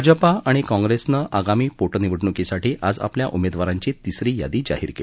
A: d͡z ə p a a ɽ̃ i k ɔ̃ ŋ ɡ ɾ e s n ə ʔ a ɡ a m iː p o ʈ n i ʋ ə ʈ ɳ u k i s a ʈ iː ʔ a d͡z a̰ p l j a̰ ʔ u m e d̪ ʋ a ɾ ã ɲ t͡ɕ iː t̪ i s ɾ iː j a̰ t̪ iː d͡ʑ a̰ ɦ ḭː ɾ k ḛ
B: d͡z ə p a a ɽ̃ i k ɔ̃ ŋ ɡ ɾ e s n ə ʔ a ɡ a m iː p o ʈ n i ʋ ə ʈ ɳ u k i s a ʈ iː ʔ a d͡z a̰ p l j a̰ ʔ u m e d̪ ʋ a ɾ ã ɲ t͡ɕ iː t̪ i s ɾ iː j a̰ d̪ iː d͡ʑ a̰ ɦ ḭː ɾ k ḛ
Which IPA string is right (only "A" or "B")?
B